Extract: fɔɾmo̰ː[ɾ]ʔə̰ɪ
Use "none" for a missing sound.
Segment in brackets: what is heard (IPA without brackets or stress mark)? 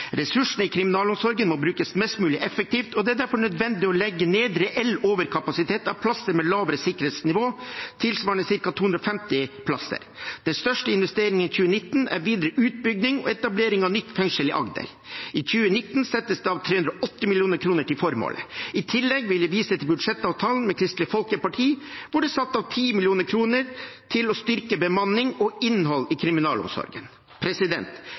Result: l